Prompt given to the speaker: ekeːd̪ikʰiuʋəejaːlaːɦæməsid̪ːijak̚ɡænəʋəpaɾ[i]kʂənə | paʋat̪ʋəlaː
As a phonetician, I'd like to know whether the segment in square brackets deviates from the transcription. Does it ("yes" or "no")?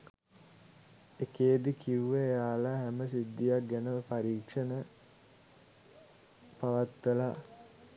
yes